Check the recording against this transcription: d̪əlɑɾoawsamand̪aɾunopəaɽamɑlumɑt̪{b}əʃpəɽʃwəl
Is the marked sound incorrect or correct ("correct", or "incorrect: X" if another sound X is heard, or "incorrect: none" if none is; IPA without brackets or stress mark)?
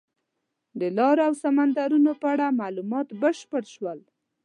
correct